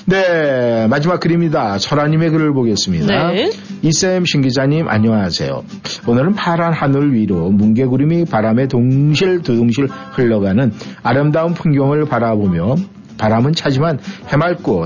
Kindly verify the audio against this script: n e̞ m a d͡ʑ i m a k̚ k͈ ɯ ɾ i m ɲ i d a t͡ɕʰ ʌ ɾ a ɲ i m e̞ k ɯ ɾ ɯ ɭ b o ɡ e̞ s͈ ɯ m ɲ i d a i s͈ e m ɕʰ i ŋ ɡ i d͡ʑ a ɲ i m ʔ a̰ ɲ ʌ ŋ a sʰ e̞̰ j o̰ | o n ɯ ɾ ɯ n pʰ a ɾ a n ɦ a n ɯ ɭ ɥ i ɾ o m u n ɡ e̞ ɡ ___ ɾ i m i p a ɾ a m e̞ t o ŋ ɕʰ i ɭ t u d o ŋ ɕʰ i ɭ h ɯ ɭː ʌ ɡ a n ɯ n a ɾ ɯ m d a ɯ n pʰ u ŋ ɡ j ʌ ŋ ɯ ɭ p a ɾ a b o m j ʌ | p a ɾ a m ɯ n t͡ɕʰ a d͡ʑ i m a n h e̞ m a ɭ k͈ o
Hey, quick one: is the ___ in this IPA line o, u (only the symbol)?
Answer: u